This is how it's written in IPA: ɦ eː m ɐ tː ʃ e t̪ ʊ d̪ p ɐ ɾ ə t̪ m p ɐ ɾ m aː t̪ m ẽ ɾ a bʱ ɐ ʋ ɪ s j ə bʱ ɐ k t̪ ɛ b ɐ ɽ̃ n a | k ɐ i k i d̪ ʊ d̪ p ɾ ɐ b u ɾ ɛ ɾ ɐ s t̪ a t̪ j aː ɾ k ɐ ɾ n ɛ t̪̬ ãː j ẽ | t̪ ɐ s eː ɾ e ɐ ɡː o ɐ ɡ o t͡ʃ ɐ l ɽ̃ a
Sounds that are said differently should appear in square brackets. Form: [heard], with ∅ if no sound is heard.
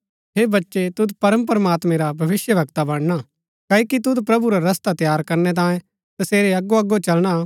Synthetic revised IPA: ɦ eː [b] ɐ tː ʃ e t̪ ʊ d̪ p ɐ ɾ ə [∅] m p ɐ ɾ m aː t̪ m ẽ ɾ a bʱ ɐ ʋ ɪ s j ə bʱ ɐ k t̪ [a] b ɐ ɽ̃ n a | k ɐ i k i [t̪] ʊ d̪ p ɾ ɐ b u ɾ [a] ɾ ɐ s t̪ a t̪ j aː ɾ k ɐ ɾ n ɛ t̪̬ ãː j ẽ | t̪ ɐ s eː ɾ e ɐ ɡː o ɐ ɡ o t͡ʃ ɐ l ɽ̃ a